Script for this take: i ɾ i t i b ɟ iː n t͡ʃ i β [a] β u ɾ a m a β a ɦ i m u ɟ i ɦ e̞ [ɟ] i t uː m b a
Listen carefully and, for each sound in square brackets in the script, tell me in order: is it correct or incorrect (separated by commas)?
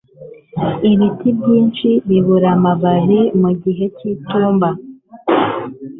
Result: incorrect, incorrect